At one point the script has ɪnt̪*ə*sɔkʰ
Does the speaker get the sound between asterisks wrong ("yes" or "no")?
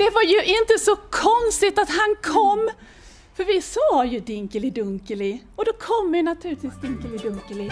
no